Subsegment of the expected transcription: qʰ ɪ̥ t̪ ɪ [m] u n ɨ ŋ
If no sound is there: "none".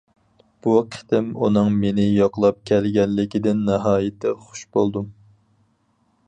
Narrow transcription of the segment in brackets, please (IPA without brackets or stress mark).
m